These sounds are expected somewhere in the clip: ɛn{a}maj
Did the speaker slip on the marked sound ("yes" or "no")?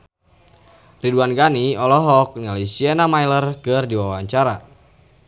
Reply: no